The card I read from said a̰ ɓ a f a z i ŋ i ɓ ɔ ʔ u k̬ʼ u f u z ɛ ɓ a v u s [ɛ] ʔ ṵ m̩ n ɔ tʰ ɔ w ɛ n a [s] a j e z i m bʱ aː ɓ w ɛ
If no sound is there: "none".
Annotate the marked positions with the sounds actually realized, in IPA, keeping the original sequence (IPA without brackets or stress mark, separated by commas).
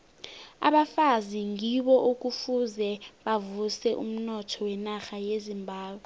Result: ɛ, x